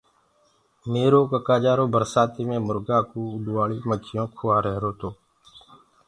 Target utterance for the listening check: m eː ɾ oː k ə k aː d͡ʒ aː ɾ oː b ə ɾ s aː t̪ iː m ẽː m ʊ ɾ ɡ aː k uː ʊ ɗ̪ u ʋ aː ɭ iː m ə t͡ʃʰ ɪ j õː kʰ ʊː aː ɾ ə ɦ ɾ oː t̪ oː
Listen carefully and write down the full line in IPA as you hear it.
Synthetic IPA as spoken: m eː ɾ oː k ə k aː d͡ʒ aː ɾ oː b ə ɾ s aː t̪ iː m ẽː m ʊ ɾ ɡ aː k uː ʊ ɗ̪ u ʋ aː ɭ iː m ə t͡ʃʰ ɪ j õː kʰ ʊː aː ɾ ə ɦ ɾ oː t̪ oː